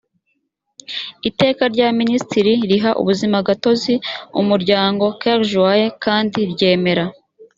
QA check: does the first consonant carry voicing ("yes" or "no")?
no